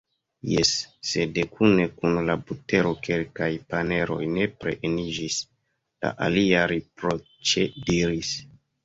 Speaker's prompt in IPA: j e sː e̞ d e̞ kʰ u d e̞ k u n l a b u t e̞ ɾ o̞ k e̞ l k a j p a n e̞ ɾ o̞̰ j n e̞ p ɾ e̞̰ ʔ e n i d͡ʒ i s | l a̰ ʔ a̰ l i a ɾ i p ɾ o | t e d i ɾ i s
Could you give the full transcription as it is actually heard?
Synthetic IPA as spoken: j e sː e̞ d e̞ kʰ u n e̞ k u n l a b u t e̞ ɾ o̞ k e̞ l k a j p a n e̞ ɾ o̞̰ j n e̞ p ɾ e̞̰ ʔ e n i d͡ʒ i s | l a̰ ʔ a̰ l i a ɾ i p ɾ o | t͡ʃ e d i ɾ i s